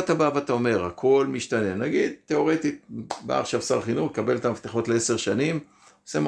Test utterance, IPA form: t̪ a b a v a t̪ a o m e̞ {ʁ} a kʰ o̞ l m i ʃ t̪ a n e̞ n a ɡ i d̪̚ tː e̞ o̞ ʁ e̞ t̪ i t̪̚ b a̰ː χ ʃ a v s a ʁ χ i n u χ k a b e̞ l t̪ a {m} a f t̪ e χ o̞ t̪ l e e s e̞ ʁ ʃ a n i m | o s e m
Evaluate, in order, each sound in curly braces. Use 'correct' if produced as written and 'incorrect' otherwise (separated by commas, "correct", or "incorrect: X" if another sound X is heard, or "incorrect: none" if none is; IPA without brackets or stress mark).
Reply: correct, correct